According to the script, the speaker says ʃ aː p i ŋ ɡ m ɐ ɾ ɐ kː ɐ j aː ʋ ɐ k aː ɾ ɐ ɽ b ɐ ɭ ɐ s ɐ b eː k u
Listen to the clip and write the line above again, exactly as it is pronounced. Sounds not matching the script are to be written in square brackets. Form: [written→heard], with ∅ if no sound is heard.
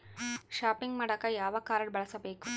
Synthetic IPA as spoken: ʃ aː p i ŋ ɡ m ɐ [ɾ→ɽ] ɐ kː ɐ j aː ʋ ɐ k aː ɾ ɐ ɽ b ɐ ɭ ɐ s ɐ b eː k u

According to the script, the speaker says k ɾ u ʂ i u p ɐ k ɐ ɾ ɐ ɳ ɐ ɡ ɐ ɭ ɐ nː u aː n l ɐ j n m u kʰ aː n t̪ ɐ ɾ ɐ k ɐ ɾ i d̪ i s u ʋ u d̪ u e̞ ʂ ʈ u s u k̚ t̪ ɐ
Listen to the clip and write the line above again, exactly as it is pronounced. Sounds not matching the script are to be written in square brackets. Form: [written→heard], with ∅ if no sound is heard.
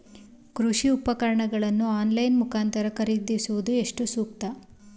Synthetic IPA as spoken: k ɾ u ʂ i u p ɐ k ɐ ɾ ɐ ɳ ɐ ɡ ɐ ɭ ɐ nː u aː n l ɐ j n m u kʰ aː n t̪ ɐ ɾ ɐ k ɐ ɾ i d̪ i s u ʋ u d̪ u e̞ ʂ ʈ u s [u→uː] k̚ t̪ ɐ

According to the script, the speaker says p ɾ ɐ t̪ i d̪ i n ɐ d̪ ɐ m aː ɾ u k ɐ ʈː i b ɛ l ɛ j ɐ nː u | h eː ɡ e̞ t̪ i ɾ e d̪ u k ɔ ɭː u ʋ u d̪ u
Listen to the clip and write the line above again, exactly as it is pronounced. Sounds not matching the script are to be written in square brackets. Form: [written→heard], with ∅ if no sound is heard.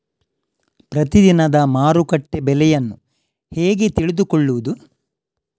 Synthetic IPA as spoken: p ɾ ɐ t̪ i d̪ i n ɐ d̪ ɐ m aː ɾ u k ɐ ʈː [i→e] b ɛ l ɛ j ɐ nː u | h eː ɡ e̞ t̪ i [ɾ→ɭ] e d̪ u k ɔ ɭː u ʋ u d̪ u

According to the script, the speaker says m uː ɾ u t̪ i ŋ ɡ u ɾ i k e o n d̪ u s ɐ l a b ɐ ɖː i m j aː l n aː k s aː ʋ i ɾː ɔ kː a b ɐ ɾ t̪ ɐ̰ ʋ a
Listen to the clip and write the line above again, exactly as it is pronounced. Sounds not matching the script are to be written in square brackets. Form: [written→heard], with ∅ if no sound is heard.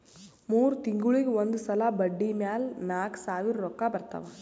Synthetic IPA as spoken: m uː ɾ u t̪ i ŋ ɡ u [ɾ→ɭ] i [k→ɡ] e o n d̪ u s ɐ l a b ɐ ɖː i m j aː l n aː k s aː ʋ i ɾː ɔ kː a b ɐ ɾ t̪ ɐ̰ ʋ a

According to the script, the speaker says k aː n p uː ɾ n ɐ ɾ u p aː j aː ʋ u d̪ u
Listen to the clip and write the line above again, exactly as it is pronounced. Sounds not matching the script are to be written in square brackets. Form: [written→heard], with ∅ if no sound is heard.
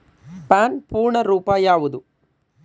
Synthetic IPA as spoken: [k→p] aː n p uː ɾ [n→ɳ] ɐ ɾ [u→uː] p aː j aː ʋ u d̪ u

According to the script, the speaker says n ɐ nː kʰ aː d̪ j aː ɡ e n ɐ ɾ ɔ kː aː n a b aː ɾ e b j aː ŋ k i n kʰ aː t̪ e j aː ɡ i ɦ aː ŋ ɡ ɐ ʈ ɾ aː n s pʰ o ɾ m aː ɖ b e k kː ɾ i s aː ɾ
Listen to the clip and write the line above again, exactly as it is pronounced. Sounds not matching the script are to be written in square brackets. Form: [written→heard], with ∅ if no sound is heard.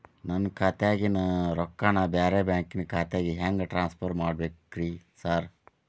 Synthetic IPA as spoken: n ɐ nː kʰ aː [d̪→t̪] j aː ɡ [e→i] n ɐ ɾ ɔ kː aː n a b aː ɾ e b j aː ŋ k i n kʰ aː t̪ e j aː ɡ i ɦ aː ŋ ɡ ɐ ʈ ɾ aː n s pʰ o ɾ m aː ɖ b e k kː ɾ i s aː ɾ

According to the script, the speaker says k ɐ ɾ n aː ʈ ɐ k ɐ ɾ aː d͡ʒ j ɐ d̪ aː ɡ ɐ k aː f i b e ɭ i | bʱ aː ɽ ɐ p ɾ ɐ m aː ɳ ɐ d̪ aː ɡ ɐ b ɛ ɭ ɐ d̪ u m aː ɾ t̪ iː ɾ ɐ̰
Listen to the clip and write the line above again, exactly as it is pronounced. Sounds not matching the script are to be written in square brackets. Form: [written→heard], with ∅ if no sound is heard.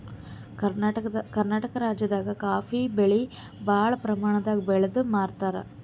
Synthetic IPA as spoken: k ɐ ɾ n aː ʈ ɐ k ɐ ɾ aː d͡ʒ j ɐ d̪ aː ɡ ɐ k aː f i b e ɭ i | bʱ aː [ɽ→ɭ] ɐ p ɾ ɐ m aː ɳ ɐ d̪ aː ɡ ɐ b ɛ ɭ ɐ d̪ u m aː ɾ t̪ [iː→aː] ɾ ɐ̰

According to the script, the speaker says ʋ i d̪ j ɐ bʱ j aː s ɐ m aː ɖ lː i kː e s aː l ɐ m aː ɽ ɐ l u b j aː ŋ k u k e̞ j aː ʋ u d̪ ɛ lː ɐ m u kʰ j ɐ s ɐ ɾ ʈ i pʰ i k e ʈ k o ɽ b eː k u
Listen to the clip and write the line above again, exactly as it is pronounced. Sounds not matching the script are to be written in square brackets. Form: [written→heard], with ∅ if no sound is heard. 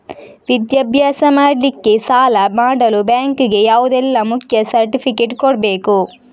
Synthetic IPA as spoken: ʋ i d̪ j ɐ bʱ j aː s ɐ m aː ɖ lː i kː e s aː l ɐ m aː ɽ ɐ l u b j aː ŋ k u [k→ɡ] e̞ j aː ʋ u d̪ ɛ lː ɐ m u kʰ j ɐ s ɐ ɾ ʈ i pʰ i k e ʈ k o ɽ b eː k u

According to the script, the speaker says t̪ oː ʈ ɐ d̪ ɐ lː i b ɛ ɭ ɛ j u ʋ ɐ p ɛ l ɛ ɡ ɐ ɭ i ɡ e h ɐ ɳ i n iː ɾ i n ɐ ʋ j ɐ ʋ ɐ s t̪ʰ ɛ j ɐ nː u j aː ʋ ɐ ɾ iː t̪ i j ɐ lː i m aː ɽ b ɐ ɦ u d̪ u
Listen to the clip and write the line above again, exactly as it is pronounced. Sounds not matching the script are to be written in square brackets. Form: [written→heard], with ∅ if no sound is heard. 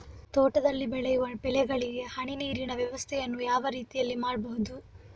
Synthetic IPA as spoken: t̪ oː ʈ ɐ d̪ ɐ lː i b ɛ ɭ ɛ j u ʋ ɐ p ɛ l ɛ ɡ ɐ ɭ i ɡ e h ɐ ɳ i n iː ɾ i n ɐ ʋ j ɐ ʋ ɐ s t̪ʰ ɛ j ɐ nː u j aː ʋ ɐ ɾ iː t̪ i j ɐ lː i m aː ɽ b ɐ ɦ u d̪ u

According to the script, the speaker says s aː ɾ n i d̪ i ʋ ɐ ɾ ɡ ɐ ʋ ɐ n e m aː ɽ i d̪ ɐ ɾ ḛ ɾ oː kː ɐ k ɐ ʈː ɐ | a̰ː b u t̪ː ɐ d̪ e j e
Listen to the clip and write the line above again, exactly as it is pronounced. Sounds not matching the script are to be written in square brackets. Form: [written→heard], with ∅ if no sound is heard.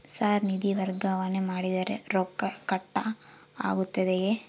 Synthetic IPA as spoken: s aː ɾ n i d̪ i ʋ ɐ ɾ ɡ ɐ ʋ ɐ n e m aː ɽ i d̪ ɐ ɾ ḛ ɾ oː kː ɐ k ɐ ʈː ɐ | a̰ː [b→ɡ] u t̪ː ɐ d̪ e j e

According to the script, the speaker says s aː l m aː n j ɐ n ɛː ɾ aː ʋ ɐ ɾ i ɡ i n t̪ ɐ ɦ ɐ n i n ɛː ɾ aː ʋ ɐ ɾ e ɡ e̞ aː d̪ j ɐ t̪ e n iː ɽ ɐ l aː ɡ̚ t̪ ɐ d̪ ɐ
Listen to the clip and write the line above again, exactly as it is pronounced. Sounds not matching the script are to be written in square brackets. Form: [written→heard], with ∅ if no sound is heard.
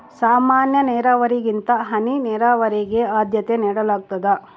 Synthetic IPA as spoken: s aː [l→∅] m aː n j ɐ n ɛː ɾ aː ʋ ɐ ɾ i ɡ i n t̪ ɐ ɦ ɐ n i n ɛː ɾ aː ʋ ɐ ɾ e ɡ e̞ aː d̪ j ɐ t̪ e n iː ɽ ɐ l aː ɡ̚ t̪ ɐ d̪ ɐ

